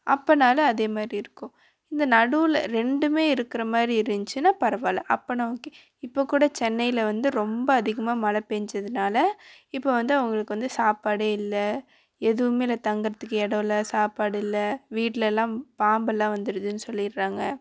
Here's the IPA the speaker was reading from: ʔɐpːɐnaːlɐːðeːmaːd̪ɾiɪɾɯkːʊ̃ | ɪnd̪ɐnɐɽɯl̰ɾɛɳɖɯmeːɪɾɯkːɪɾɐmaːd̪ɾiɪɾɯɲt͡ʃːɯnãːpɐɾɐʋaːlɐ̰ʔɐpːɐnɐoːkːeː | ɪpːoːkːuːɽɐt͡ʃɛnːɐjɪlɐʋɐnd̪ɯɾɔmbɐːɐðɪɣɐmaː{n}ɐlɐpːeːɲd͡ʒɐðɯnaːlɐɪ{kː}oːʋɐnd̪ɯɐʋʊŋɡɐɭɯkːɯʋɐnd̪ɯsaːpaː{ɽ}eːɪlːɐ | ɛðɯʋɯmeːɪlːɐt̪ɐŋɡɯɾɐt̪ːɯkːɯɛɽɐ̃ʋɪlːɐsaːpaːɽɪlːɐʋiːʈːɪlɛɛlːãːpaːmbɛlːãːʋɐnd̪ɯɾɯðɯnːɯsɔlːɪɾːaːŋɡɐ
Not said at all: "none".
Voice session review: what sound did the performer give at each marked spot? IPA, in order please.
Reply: m, pː, ɽ

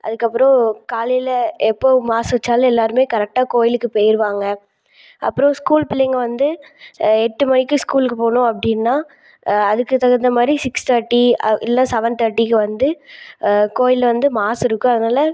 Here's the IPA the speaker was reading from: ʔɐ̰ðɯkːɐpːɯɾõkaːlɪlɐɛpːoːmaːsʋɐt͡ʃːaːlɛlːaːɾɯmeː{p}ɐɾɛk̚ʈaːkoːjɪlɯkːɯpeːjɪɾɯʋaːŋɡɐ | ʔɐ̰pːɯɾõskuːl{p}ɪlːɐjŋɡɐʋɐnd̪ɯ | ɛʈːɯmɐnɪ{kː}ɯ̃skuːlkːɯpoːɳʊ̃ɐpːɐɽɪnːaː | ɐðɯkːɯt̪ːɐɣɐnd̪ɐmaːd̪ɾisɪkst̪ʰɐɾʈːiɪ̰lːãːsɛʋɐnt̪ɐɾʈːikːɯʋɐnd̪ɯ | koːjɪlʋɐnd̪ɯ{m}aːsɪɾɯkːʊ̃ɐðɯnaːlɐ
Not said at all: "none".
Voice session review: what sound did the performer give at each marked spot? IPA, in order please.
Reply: k, p, kː, m

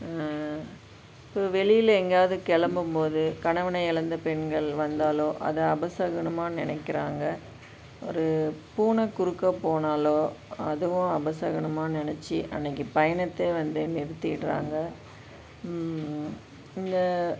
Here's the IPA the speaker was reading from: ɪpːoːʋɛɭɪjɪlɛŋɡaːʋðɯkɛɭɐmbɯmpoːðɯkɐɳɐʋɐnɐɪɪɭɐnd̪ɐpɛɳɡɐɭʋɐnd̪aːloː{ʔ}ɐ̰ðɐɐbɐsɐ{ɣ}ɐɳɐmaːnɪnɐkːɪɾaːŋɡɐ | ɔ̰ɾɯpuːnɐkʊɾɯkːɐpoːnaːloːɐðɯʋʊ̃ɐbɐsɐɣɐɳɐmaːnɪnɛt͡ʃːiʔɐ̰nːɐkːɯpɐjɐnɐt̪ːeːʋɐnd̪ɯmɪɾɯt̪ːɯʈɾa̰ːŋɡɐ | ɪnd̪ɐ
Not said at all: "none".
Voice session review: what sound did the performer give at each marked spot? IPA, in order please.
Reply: ʔ, ɣ

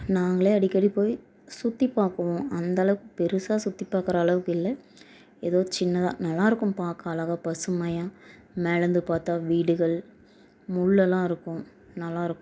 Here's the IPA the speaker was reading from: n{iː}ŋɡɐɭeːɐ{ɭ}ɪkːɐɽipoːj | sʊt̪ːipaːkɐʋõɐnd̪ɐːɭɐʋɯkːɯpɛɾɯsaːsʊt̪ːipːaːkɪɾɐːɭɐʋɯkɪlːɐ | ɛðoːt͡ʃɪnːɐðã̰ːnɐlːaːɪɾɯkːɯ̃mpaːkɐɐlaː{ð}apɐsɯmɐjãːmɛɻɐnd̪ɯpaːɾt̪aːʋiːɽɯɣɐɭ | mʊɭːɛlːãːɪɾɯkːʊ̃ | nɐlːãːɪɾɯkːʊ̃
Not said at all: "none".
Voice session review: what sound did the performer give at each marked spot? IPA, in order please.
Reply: aː, ɽ, ɣ

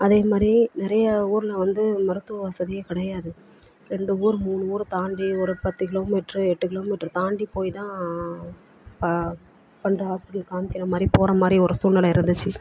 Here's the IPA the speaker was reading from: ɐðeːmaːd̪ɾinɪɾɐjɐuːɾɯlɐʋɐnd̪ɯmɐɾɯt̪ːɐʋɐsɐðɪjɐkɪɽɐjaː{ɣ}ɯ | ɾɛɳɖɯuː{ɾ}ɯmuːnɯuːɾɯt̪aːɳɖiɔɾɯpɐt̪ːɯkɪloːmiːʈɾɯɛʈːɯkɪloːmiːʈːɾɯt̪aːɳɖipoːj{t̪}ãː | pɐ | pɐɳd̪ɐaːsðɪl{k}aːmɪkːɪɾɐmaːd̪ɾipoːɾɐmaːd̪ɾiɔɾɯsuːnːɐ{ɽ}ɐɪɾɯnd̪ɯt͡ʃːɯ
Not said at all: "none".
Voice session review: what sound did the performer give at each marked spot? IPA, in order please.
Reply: ð, ɾ, t̪, k, l

